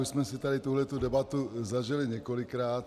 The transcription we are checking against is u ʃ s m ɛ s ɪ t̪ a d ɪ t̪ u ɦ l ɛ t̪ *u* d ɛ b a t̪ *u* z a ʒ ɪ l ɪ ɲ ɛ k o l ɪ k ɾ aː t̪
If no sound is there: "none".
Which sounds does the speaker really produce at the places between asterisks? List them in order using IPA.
u, u

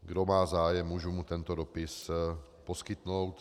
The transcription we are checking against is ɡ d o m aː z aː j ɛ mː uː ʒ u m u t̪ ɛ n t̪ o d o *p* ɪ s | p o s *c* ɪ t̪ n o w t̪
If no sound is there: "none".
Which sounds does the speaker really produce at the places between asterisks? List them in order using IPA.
p, k

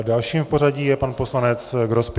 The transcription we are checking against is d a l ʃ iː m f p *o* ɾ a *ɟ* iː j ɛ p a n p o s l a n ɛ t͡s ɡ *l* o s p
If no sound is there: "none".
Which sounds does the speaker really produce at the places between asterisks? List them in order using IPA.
o, ɟ, ɾ

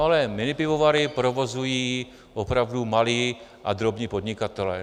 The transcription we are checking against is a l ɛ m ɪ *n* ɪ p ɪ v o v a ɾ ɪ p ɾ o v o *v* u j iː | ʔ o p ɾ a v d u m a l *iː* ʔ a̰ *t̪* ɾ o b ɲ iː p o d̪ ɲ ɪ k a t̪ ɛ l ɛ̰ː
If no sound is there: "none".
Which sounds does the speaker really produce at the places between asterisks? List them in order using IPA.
n, z, iː, d̪

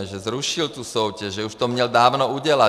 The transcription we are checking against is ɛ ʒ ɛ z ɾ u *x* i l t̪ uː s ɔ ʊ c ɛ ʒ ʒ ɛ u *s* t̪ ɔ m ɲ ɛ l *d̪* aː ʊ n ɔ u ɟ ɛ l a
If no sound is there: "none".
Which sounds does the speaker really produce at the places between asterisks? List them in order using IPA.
ʃ, ʃ, d̪

